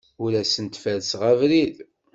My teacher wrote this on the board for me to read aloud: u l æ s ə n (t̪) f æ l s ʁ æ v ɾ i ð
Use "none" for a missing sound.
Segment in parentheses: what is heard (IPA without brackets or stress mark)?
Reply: t̪